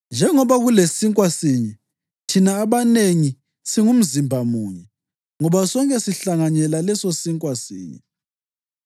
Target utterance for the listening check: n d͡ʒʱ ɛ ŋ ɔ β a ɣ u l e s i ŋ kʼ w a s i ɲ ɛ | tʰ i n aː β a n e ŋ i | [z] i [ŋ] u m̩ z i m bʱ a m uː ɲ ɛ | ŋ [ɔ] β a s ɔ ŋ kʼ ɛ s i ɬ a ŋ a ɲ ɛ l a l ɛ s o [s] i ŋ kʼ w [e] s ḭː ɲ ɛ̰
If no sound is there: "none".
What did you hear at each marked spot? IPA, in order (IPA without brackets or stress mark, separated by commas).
s, ŋ, ɔ, s, a